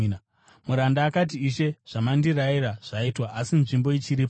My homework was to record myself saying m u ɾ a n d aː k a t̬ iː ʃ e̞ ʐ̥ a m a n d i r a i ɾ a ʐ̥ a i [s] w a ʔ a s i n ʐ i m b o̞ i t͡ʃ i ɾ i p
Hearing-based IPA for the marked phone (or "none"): t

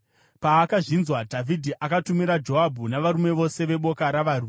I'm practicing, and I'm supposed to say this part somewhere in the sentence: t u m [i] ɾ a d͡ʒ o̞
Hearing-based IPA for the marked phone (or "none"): i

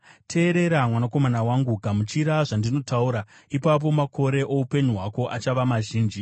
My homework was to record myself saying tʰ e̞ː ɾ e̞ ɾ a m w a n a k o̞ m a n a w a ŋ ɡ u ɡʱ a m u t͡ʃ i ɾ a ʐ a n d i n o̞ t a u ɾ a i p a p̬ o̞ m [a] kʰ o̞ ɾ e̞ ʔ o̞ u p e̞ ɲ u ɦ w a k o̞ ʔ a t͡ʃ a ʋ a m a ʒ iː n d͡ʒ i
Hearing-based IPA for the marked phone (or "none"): a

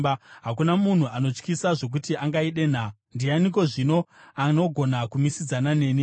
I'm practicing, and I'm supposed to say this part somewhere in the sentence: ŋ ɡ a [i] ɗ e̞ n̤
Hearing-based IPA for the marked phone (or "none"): i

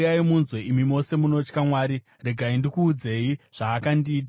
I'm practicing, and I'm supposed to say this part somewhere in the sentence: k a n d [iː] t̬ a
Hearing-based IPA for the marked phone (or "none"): iː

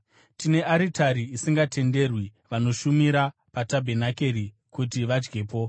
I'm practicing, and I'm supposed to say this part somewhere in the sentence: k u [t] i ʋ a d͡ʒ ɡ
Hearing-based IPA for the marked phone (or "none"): t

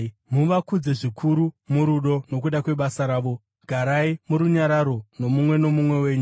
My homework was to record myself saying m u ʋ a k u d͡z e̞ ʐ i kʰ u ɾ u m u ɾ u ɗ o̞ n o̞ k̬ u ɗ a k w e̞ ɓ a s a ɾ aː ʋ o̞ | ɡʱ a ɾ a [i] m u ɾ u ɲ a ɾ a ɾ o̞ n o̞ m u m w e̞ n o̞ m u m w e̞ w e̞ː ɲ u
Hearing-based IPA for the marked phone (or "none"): i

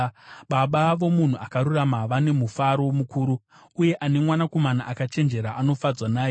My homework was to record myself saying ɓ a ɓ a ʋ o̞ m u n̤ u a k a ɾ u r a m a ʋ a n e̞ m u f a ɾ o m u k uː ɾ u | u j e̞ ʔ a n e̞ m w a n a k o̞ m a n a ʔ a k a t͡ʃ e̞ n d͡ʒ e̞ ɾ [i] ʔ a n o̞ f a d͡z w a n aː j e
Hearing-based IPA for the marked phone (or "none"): a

